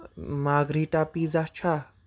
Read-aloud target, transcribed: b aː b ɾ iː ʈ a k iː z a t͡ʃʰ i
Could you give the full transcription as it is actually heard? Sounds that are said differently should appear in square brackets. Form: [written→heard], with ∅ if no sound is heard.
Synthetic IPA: [b→m] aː [b→ɡ] ɾ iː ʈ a [k→p] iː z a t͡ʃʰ [i→a]